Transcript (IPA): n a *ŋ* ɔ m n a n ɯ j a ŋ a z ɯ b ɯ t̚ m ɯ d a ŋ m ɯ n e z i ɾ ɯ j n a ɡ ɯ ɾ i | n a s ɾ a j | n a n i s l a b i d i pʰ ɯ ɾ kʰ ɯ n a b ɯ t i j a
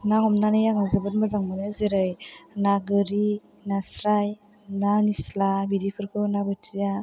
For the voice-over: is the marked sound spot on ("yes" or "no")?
yes